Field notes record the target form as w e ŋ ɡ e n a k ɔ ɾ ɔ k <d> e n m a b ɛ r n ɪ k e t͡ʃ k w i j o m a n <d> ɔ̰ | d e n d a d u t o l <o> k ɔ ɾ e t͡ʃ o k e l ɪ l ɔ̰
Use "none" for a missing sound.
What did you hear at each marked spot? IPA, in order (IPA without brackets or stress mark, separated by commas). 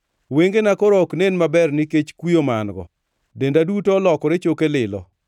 n, ɡ, ɔ